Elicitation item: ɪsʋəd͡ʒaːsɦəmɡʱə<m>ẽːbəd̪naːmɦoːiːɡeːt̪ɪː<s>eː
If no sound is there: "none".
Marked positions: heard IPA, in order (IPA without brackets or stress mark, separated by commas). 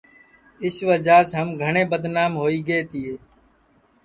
ɳ, none